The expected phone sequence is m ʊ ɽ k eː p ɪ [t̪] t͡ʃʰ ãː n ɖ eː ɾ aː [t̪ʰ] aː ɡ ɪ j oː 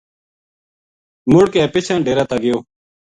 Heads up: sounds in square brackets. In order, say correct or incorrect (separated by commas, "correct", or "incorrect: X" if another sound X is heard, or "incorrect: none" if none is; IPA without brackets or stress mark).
incorrect: none, incorrect: t̪